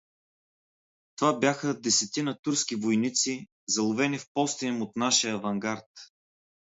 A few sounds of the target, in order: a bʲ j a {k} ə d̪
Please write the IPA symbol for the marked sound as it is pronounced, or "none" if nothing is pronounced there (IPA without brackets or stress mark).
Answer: x